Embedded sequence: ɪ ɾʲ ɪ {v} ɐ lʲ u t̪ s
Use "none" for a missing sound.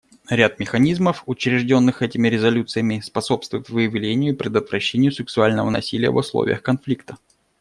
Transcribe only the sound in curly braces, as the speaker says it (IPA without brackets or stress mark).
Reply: z